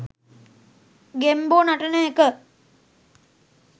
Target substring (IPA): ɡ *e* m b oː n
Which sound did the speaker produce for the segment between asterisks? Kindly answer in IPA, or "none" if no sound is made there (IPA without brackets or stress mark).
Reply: e